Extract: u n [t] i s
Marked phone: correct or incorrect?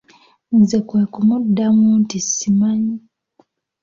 correct